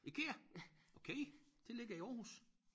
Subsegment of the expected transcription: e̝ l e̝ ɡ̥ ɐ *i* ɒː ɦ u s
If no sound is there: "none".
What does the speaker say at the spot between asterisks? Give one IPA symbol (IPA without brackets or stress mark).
i